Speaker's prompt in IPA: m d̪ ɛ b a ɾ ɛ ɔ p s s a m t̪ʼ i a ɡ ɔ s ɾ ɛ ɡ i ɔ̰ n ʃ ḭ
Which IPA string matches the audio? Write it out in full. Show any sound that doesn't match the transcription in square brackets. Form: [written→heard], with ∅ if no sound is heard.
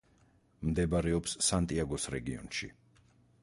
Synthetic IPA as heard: m d̪ ɛ b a ɾ ɛ ɔ p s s a [m→n] t̪ʼ i a ɡ ɔ s ɾ ɛ ɡ i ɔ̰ n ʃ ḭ